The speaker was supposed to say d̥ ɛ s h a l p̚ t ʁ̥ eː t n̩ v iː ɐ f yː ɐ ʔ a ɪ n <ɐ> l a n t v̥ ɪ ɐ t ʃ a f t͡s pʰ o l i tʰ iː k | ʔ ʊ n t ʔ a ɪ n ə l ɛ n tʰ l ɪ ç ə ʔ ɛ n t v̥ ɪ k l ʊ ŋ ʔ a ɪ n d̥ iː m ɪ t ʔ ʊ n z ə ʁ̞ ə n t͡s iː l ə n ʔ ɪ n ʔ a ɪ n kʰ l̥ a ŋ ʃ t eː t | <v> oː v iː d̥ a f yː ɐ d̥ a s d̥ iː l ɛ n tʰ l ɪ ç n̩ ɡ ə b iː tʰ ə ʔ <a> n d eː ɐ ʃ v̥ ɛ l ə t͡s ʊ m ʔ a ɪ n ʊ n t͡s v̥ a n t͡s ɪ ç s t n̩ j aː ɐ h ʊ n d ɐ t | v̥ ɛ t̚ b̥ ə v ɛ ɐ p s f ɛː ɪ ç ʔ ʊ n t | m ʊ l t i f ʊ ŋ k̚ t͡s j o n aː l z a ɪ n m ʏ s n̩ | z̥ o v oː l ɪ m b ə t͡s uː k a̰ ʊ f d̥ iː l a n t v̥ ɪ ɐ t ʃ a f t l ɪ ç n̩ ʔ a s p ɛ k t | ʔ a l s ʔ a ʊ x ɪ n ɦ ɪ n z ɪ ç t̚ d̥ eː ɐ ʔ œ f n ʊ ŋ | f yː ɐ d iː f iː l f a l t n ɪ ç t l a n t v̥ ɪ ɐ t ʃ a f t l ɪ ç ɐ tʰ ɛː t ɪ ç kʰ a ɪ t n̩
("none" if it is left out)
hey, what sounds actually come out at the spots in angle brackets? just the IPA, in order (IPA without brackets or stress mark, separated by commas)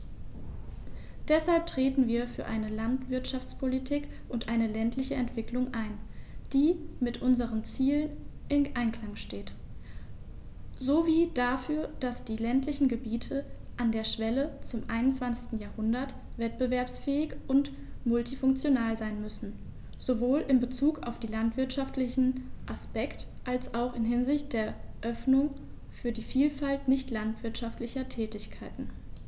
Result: ə, z, a